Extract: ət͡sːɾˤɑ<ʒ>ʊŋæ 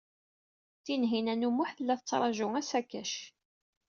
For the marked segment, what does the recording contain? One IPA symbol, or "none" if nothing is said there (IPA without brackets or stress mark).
ʒ